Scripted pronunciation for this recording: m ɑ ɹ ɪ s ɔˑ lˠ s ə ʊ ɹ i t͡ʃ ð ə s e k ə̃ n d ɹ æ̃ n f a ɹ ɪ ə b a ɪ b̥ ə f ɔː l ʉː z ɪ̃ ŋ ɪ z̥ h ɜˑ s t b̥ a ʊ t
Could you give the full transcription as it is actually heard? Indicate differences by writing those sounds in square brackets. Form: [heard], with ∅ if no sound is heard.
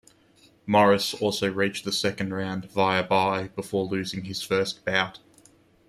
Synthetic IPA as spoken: m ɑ ɹ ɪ s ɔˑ lˠ s ə ʊ ɹ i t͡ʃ ð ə s [ɛ] k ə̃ n d ɹ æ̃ n [v] a [∅] ɪ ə b a ɪ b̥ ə f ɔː l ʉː z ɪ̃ ŋ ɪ z̥ [f] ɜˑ s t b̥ a ʊ t